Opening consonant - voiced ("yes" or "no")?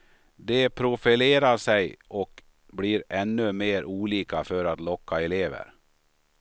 yes